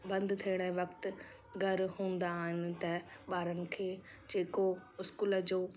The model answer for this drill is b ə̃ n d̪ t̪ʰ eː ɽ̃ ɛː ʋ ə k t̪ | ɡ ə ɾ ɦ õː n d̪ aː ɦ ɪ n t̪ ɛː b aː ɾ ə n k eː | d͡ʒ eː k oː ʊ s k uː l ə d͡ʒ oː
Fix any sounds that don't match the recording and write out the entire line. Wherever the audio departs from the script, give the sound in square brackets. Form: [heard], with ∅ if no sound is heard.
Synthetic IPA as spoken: b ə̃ n d̪ t̪ʰ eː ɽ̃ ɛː ʋ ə k t̪ | ɡ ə ɾ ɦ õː n d̪ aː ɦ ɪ n t̪ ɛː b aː ɾ ə n [kʰ] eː | d͡ʒ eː k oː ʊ s k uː l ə d͡ʒ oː